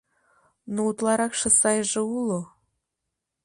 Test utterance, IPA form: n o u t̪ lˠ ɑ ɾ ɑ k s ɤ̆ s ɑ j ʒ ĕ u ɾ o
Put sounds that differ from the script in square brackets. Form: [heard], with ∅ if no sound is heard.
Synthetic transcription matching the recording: n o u t̪ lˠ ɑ ɾ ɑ k [ʃ] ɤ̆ s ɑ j ʒ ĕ u [l] o